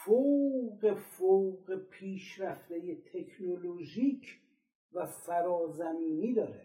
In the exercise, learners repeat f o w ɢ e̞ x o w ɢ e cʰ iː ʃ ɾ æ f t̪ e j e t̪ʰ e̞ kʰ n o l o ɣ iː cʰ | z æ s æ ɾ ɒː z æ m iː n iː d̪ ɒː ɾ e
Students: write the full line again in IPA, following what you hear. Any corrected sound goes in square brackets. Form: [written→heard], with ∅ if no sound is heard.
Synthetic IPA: f o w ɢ e̞ [x→f] o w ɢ e [cʰ→pʰ] iː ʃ ɾ æ f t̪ e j e t̪ʰ e̞ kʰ n o l o [ɣ→ʒ] iː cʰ | [z→v] æ s æ ɾ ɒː z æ m iː n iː d̪ ɒː ɾ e